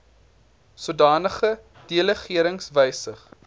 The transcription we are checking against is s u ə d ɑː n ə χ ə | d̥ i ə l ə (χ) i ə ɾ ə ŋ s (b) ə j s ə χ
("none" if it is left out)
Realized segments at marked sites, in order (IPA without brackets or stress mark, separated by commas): χ, v